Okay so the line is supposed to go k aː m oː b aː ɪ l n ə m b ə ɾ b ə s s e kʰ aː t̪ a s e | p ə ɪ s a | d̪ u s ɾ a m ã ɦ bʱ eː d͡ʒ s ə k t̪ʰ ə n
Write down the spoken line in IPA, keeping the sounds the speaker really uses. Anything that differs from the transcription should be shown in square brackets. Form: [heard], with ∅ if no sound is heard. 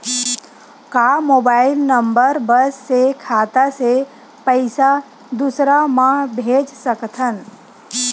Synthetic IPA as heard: k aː m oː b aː ɪ l n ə m b ə ɾ b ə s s e kʰ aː t̪ a s e | p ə ɪ s a | d̪ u s ɾ a m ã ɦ bʱ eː d͡ʒ s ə k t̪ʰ ə n